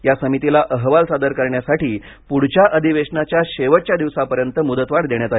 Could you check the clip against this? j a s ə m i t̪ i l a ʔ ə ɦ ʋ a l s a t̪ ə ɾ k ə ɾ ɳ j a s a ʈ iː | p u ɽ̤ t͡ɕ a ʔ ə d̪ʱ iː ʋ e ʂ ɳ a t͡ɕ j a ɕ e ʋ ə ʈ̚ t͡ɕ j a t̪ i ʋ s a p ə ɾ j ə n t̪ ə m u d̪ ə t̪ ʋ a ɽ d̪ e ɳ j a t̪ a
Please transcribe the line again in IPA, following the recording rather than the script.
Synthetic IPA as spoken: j a s ə m i t̪ i l a ʔ ə ɦ ʋ a l s a d̪ ə ɾ k ə ɾ ɳ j a s a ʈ iː | p u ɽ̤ t͡ɕ a ʔ ə d̪ʱ i ʋ e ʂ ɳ a t͡ɕ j a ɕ e ʋ ə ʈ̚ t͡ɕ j a d̪ i ʋ s a p ə ɾ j ə n t̪ ə m u d̪ ə t̪ ʋ a ɽ d̪ e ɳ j a t̪ a